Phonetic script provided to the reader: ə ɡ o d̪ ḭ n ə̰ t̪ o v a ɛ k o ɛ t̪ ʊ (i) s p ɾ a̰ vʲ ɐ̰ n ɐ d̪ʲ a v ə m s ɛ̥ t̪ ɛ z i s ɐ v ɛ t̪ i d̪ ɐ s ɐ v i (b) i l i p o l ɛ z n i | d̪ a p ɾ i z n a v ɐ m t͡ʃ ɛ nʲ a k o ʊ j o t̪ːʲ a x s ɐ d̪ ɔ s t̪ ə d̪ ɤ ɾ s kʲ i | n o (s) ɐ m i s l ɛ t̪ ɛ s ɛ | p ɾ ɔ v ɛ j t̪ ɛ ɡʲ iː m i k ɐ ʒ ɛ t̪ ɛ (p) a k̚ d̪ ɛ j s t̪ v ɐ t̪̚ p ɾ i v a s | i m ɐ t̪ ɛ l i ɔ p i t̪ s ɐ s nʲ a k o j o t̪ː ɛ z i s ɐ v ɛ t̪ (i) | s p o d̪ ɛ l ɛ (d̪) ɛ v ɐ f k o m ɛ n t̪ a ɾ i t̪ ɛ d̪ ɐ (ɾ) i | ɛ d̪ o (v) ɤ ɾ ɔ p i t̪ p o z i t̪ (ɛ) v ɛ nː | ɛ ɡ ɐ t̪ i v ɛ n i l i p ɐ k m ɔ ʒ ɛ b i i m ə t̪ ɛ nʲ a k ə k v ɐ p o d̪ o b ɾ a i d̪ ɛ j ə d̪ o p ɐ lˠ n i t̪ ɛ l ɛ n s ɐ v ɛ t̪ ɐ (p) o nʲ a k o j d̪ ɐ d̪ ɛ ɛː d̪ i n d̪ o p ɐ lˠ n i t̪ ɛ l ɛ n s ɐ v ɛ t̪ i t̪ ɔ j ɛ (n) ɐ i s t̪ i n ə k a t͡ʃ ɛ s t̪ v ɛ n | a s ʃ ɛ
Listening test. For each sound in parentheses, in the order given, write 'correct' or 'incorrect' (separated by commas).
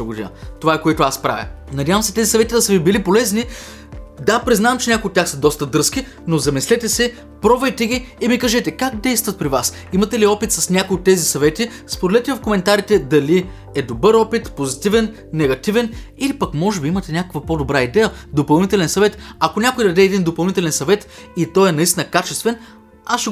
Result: incorrect, correct, incorrect, incorrect, correct, incorrect, incorrect, incorrect, incorrect, incorrect, correct